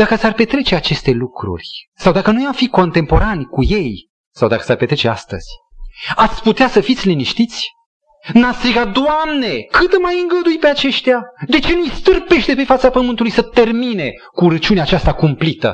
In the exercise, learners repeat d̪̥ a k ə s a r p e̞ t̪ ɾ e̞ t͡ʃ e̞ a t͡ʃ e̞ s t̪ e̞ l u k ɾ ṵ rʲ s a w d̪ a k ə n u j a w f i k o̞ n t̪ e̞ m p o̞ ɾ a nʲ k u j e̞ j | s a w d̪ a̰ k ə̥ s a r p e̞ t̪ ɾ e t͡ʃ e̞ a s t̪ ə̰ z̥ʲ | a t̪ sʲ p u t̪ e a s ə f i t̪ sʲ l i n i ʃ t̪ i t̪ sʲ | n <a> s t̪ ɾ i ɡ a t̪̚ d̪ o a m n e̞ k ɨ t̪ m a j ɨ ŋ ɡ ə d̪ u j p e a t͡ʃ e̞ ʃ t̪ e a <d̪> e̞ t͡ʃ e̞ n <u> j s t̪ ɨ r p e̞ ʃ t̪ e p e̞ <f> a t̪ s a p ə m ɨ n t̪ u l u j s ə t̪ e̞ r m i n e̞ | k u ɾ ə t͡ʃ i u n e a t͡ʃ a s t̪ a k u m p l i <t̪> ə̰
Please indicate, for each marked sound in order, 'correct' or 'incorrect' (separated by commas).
correct, correct, correct, correct, correct